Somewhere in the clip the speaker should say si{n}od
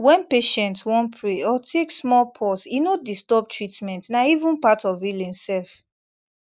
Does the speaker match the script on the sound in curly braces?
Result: yes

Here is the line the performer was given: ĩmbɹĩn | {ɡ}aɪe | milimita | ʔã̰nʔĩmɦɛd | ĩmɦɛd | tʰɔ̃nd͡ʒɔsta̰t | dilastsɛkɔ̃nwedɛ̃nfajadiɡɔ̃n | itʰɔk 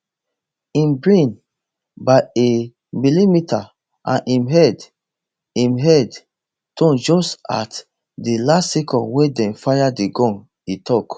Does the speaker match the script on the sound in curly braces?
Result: no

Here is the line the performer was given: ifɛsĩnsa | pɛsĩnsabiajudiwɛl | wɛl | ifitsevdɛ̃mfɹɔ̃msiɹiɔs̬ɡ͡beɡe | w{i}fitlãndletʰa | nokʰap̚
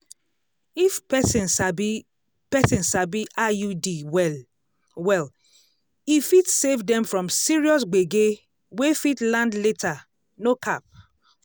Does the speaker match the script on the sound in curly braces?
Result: no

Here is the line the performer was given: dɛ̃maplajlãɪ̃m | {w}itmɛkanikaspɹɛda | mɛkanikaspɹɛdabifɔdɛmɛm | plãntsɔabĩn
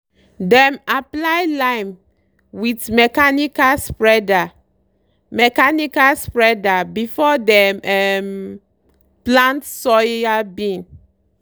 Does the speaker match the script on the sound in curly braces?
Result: yes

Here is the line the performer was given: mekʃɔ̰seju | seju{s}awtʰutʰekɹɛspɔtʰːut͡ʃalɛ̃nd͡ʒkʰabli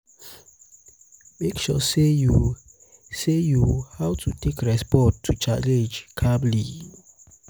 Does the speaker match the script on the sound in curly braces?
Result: no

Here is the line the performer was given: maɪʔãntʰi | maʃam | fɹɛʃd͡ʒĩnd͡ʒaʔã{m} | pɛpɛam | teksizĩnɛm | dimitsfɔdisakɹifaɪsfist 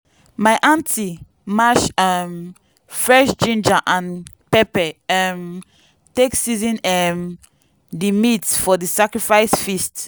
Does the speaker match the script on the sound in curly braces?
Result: no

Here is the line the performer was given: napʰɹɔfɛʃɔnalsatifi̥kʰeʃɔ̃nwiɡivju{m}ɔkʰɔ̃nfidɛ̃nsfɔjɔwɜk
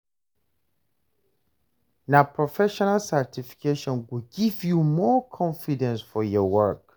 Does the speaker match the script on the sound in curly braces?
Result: yes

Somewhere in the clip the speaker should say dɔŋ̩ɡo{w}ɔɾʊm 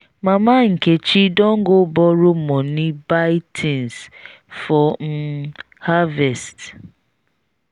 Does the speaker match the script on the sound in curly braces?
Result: no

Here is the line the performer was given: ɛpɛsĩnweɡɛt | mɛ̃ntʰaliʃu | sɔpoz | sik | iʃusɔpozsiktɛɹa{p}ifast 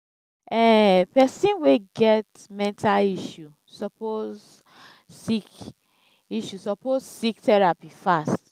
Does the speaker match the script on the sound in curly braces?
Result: yes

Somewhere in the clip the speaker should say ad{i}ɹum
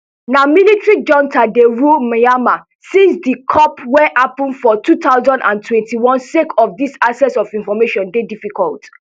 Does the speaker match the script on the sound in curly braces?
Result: no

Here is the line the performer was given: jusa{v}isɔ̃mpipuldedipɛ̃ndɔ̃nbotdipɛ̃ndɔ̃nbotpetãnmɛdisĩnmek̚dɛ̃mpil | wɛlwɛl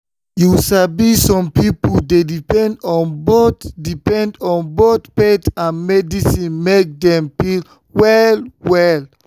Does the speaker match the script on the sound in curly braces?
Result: no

